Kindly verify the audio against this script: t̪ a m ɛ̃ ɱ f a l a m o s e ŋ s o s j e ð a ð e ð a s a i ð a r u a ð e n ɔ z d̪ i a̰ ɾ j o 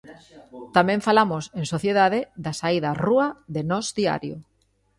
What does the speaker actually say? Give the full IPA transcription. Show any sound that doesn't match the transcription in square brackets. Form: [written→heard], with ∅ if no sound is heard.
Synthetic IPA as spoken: t̪ a m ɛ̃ ɱ f a l a m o s e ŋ s o [s→θ] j e ð a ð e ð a s a i ð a r u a ð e n ɔ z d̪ i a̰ ɾ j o